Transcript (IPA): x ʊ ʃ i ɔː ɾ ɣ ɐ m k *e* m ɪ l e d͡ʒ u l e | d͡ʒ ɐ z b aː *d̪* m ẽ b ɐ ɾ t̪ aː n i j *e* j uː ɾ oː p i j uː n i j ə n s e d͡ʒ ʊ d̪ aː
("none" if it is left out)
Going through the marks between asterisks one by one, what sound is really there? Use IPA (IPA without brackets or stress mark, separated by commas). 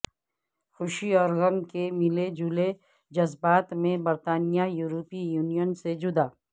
e, t̪, a